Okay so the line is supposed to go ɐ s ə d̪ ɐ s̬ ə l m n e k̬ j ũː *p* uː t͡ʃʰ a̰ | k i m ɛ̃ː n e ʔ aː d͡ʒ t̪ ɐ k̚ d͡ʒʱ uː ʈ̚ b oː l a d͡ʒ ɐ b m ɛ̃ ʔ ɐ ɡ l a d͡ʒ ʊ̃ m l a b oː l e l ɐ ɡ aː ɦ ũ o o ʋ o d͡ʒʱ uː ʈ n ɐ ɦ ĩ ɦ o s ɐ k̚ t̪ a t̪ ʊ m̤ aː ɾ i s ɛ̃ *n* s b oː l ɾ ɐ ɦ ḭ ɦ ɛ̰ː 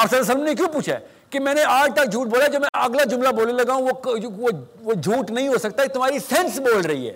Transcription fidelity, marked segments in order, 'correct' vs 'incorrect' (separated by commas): correct, correct